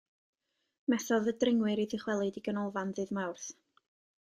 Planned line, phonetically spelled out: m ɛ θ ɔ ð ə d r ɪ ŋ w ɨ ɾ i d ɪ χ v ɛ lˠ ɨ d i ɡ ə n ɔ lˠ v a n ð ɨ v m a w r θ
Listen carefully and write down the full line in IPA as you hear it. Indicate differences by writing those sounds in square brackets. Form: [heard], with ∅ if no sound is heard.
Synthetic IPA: m ɛ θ ɔ ð ə d r ɪ ŋ w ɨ ɾ i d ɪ χ [w] ɛ lˠ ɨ d i ɡ ə n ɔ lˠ v a n ð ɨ [ð] m a w r θ